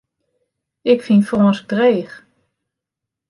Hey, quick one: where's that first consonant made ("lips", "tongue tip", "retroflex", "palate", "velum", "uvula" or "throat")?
velum